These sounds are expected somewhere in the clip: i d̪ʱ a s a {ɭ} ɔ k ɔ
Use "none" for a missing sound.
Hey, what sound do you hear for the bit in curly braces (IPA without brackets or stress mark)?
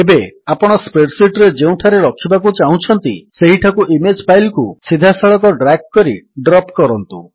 ɭ